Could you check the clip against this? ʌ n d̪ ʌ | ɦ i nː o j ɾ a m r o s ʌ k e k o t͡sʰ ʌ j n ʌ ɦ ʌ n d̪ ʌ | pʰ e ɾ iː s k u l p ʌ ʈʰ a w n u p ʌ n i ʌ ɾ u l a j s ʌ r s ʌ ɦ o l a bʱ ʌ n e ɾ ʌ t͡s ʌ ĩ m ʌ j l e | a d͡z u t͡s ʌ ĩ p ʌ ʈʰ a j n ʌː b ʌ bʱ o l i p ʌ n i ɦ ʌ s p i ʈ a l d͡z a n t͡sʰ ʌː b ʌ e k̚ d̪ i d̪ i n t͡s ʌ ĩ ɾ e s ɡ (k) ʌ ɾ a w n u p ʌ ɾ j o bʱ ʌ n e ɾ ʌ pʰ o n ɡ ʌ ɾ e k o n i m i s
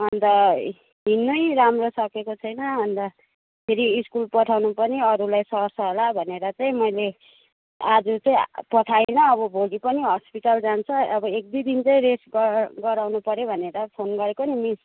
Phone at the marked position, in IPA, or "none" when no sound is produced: ɡ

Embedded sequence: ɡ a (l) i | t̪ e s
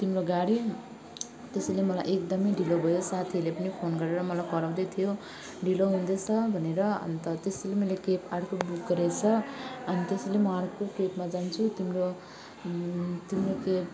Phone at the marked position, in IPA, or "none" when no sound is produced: ɽ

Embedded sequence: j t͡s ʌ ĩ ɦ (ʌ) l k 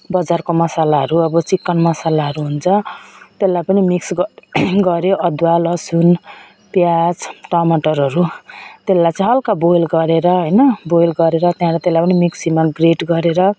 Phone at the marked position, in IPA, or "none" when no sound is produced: ʌ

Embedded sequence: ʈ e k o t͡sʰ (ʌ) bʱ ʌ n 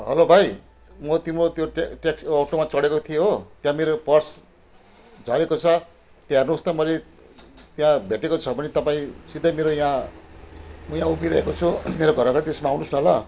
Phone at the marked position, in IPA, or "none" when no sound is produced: ʌ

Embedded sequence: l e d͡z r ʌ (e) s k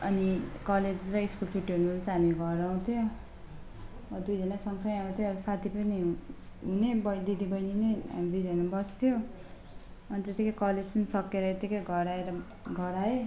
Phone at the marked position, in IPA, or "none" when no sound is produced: i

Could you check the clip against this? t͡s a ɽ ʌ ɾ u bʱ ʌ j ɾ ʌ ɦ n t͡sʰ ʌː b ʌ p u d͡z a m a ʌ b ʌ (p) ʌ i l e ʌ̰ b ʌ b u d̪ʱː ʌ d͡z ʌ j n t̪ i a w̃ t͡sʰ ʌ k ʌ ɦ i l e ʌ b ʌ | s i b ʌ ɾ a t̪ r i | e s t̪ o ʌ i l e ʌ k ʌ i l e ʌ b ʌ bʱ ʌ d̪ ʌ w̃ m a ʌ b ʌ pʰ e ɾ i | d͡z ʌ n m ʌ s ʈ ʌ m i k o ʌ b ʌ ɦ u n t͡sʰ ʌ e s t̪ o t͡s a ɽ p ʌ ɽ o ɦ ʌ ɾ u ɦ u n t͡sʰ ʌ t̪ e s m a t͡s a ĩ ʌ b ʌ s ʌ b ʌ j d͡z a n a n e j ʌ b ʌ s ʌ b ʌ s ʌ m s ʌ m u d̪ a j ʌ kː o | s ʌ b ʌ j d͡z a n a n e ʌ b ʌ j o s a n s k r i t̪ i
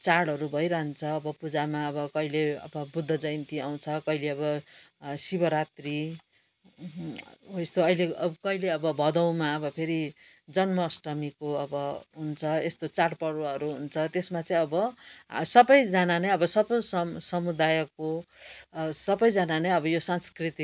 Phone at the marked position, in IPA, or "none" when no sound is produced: k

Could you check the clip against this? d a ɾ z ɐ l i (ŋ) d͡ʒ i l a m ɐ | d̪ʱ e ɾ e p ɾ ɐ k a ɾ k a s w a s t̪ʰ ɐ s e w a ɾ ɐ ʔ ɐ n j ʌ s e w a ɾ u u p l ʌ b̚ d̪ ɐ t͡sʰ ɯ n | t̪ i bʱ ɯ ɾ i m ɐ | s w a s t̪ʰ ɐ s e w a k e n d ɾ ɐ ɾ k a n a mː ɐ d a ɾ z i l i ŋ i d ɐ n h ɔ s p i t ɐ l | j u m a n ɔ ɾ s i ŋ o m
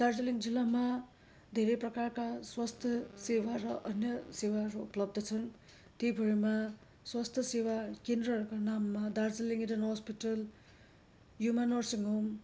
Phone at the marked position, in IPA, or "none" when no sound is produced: ŋ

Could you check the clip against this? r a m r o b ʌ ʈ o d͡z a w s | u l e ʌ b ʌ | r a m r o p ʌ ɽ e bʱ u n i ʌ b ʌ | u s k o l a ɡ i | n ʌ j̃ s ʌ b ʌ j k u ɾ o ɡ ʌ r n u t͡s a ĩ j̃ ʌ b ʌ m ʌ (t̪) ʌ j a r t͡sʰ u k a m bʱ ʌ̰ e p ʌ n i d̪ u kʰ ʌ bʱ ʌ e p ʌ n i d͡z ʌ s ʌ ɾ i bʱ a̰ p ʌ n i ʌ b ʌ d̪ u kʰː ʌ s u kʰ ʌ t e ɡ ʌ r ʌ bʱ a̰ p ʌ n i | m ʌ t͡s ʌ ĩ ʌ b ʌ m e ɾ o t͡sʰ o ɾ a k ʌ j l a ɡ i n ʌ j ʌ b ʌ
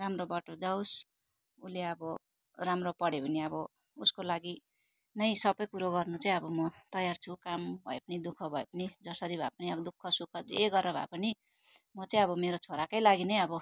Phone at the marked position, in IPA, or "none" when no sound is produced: t̪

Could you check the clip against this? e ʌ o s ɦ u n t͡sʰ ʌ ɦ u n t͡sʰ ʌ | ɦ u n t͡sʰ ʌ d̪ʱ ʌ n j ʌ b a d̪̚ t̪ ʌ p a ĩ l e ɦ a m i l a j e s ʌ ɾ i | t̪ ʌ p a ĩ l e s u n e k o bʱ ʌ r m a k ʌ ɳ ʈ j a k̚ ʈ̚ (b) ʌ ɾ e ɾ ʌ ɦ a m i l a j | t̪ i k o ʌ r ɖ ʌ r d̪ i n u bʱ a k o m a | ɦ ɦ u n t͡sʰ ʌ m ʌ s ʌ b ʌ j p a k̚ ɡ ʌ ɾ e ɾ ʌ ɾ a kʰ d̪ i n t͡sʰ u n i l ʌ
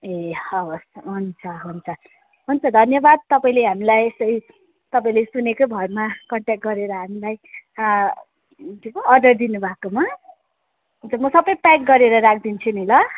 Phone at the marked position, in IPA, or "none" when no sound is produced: ɡ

